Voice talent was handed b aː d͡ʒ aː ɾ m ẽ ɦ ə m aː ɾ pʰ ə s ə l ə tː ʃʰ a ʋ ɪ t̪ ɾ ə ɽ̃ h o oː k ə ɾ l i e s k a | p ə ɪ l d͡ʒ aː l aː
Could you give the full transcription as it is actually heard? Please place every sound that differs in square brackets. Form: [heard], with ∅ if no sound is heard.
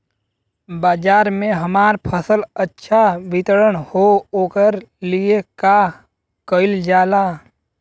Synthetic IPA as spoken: b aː d͡ʒ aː ɾ m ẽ ɦ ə m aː ɾ pʰ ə s ə l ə tː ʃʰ a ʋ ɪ t̪ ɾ ə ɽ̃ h o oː k ə ɾ l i e [∅] k a | [k] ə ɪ l d͡ʒ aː l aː